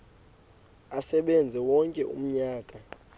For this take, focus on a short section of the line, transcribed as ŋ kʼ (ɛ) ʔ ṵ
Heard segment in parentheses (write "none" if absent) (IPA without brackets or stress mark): ɛ